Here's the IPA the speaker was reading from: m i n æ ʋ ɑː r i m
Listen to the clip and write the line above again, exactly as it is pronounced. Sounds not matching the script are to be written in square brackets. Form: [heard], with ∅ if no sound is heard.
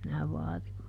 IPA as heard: m i n æ ʋ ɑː r i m